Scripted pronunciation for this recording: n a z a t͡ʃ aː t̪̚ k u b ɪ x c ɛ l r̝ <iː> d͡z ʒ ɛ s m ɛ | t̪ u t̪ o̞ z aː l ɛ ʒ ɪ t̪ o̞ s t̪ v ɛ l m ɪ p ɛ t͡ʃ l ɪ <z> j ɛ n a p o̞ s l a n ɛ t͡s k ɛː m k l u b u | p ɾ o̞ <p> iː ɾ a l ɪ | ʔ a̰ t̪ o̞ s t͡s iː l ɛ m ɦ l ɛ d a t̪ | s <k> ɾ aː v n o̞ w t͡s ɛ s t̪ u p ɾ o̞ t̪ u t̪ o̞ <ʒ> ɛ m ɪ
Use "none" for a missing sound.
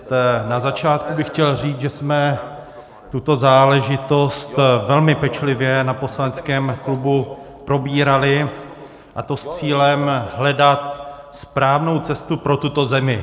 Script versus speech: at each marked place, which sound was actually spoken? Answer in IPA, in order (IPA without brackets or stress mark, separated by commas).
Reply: iː, v, b, p, z